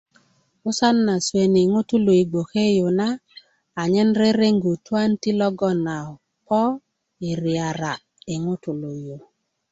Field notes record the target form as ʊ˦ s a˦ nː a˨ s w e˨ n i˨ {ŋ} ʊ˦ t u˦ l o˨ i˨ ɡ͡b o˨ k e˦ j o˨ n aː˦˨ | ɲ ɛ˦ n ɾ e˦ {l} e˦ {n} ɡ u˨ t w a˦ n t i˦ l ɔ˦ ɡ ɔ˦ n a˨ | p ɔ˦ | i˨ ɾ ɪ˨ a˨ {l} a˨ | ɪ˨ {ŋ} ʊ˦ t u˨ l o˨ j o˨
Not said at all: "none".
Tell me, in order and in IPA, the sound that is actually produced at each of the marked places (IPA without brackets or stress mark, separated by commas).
ŋ, ɾ, ŋ, ɾ, ŋ